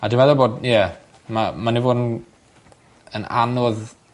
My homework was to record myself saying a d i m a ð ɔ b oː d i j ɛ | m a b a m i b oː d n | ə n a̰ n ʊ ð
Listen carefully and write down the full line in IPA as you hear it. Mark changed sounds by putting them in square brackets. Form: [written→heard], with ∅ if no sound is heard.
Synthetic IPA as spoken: a d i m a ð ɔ b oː d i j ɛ | m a [b→m] a [m→n] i [b→v] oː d n | ə n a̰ n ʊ ð